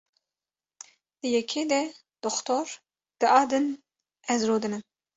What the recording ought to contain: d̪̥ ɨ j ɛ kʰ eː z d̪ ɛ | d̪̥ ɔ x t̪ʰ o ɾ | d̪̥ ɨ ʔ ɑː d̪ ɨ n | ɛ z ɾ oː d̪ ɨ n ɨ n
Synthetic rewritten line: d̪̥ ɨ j ɛ kʰ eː d̪ ɛ | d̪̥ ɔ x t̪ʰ o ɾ | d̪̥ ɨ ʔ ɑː d̪ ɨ n | ɛ z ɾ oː d̪ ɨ n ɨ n